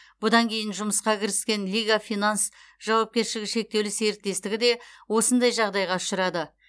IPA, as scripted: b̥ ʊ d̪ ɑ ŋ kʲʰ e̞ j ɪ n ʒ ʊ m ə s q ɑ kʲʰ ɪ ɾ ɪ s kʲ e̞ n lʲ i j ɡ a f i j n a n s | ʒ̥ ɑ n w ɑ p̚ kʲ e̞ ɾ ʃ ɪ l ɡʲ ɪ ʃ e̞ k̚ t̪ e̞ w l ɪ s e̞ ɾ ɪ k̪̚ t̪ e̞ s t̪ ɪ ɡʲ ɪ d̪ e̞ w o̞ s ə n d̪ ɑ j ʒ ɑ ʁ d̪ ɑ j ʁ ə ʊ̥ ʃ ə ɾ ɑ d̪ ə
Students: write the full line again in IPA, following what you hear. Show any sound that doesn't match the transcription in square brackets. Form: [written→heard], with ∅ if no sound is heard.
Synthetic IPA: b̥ ʊ d̪ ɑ ŋ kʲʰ e̞ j ɪ n ʒ ʊ m ə s q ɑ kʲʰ ɪ ɾ ɪ s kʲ e̞ n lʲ i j ɡ a f i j n a n s | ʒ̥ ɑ [n→∅] w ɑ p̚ kʲ e̞ ɾ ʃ ɪ l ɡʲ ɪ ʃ e̞ k̚ t̪ e̞ w l ɪ s e̞ ɾ ɪ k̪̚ t̪ e̞ s t̪ ɪ ɡʲ ɪ d̪ e̞ w o̞ s ə n d̪ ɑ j ʒ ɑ ʁ d̪ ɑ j ʁ [ə→ɑ] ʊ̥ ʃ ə ɾ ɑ d̪ ə

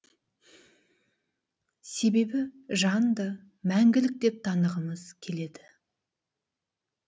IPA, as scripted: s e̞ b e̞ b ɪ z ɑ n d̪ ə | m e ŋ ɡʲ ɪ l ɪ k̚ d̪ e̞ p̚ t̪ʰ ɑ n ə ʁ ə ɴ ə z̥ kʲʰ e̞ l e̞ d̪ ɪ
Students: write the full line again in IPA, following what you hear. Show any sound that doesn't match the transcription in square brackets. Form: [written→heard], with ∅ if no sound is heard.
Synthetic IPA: s e̞ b e̞ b ɪ [z→ʒ] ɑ n d̪ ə | m [e→æ] ŋ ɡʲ ɪ l ɪ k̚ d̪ e̞ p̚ t̪ʰ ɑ n ə ʁ ə [ɴ→m] ə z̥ kʲʰ e̞ l e̞ d̪ ɪ

